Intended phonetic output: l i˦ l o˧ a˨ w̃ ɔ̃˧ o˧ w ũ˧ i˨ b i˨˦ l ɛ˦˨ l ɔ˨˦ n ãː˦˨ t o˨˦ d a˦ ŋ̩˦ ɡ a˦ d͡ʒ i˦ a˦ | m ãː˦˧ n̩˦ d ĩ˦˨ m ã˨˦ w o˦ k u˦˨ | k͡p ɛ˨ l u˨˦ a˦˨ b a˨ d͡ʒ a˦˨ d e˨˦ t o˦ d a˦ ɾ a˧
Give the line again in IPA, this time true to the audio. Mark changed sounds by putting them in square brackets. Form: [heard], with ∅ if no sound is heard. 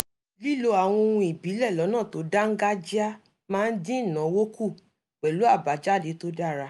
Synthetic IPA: l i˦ l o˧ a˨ w̃ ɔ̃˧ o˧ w ũ˧ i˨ b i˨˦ l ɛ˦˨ l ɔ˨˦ n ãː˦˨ t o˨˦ d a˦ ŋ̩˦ ɡ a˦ d͡ʒ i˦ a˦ | m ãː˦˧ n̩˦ d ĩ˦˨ [n] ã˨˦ w o˦ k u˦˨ | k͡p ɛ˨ l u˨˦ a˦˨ b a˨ d͡ʒ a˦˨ d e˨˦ t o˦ d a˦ ɾ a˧